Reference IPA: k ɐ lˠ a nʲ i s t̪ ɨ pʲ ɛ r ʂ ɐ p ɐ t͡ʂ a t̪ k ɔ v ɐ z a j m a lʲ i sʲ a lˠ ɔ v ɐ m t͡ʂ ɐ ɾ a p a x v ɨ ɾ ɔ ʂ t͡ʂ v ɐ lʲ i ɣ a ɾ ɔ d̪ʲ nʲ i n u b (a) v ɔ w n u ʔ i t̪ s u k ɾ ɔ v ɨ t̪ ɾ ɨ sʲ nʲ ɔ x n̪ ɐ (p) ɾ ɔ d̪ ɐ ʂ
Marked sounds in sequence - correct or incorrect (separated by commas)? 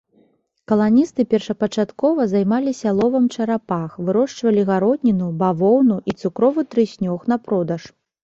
correct, correct